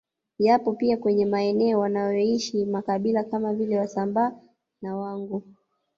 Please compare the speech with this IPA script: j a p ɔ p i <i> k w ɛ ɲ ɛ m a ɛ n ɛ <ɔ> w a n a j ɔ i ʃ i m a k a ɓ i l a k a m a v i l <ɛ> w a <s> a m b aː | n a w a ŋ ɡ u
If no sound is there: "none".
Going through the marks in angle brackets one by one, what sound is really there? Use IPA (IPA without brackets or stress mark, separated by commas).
a, ɔ, ɛ, s